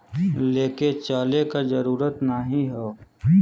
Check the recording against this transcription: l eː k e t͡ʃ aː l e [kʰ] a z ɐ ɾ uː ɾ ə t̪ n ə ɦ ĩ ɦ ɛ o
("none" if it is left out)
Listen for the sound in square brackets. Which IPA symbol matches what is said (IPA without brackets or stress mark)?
k